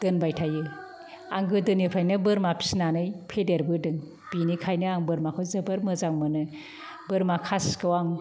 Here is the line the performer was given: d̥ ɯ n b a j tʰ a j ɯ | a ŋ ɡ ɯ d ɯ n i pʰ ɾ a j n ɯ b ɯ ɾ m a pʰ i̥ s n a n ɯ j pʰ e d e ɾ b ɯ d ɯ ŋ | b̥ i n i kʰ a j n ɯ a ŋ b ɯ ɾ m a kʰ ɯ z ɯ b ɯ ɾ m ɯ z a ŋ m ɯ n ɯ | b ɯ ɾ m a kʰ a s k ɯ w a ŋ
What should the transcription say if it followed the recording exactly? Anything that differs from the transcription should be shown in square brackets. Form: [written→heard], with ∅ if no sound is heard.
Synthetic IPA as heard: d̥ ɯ n b a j tʰ a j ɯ | a ŋ ɡ ɯ d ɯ n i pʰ ɾ a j n ɯ b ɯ ɾ m a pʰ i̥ s n a n ɯ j pʰ e d e ɾ b ɯ d ɯ ŋ | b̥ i n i kʰ a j n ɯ a ŋ b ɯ ɾ m a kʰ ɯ z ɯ b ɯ ɾ m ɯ z a ŋ m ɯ n ɯ | b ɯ ɾ m a kʰ a s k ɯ w a ŋ